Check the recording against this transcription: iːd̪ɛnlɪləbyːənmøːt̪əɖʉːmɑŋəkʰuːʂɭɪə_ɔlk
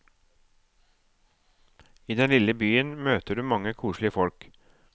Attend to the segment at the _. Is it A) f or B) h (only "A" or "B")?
A